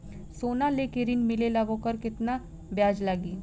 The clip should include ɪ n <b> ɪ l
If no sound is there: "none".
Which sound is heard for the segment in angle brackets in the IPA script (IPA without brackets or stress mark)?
m